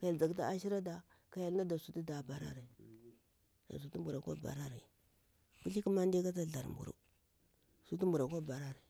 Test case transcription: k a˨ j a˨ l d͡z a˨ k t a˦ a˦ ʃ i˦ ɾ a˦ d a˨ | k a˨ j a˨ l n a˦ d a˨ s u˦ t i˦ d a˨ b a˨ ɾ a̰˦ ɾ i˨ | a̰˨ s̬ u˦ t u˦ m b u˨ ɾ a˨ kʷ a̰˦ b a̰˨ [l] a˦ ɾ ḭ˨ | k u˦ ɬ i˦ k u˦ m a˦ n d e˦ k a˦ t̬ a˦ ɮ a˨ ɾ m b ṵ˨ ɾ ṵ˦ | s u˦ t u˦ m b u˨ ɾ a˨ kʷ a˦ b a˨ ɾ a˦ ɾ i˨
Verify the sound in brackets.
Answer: incorrect: ɾ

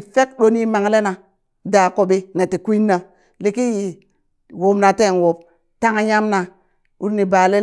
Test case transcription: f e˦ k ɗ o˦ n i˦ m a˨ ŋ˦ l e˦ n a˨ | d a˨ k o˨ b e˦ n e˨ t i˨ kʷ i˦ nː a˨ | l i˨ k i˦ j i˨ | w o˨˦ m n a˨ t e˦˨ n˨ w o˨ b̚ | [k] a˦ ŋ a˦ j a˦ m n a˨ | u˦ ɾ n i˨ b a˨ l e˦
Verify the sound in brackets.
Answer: incorrect: t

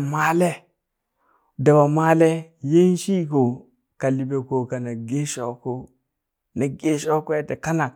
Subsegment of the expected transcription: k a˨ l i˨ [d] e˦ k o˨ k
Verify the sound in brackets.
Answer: incorrect: b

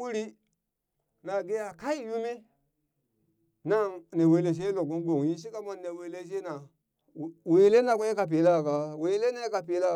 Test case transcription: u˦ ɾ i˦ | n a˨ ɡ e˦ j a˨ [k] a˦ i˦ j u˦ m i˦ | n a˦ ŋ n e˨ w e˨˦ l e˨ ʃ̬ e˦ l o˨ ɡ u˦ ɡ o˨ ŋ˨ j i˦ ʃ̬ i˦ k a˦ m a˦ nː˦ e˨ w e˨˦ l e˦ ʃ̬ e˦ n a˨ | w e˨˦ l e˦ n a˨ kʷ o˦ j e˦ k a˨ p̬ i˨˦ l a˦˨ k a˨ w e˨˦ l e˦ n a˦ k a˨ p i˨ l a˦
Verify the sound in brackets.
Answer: correct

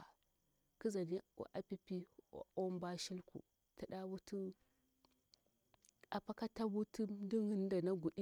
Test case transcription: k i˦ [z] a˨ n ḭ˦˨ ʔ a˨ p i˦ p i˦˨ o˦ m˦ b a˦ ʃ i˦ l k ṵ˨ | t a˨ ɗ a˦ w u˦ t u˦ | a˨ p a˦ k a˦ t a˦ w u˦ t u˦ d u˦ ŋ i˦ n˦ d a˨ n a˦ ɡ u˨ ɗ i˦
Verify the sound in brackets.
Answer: correct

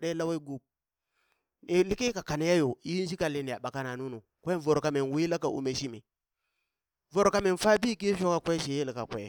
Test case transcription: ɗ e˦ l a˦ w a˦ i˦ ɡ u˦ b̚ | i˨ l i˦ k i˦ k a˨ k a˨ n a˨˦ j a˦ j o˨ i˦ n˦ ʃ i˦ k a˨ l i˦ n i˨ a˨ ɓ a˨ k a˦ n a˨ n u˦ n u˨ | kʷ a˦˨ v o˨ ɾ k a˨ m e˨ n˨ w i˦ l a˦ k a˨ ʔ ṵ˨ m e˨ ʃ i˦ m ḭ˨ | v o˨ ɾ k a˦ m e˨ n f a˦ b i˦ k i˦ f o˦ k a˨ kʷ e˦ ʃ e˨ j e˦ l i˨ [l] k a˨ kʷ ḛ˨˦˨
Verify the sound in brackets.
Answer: incorrect: none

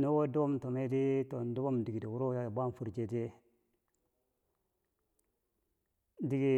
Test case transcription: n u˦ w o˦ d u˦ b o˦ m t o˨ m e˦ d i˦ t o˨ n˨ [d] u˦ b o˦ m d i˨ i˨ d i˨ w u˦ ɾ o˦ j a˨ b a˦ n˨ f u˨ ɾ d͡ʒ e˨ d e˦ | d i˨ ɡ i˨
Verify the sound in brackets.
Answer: correct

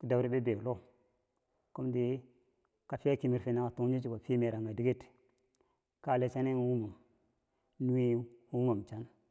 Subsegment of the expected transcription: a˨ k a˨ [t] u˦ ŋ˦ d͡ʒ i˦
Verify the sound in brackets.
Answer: correct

